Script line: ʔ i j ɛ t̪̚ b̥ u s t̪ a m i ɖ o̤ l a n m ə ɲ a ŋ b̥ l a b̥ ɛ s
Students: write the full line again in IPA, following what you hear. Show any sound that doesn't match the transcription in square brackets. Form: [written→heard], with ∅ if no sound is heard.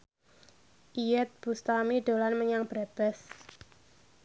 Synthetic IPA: ʔ i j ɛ t̪̚ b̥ u s t̪ a m i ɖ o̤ l a n m ə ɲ a ŋ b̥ [l→ɾ] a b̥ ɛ s